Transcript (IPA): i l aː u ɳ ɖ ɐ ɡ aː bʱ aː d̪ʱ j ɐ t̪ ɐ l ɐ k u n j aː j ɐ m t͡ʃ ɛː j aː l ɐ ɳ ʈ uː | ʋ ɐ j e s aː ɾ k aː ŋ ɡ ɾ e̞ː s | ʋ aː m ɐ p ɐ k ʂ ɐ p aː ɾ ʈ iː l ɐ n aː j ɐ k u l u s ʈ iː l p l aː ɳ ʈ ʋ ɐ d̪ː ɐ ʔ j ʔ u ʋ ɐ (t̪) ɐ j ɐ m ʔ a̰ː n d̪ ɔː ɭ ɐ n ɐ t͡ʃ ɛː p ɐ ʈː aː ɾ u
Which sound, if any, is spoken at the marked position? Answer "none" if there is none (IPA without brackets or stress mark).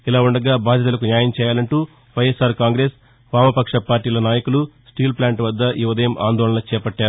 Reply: d̪